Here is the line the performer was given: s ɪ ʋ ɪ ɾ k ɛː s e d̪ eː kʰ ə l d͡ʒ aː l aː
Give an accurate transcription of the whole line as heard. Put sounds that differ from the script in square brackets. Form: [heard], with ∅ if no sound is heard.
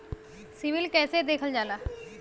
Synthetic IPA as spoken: s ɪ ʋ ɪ [l] k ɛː s e d̪ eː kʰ ə l d͡ʒ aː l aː